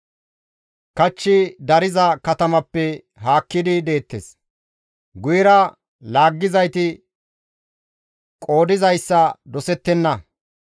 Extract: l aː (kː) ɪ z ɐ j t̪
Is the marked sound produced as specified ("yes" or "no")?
no